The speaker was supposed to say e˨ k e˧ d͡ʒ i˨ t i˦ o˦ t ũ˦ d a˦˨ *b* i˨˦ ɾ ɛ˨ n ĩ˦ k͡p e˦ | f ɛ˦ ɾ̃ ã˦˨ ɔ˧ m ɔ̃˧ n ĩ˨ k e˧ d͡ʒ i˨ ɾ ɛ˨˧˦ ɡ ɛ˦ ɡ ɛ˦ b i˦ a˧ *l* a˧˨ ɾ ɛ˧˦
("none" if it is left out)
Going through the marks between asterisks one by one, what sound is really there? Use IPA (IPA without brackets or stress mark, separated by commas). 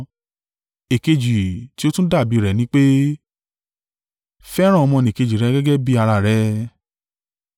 b, ɾ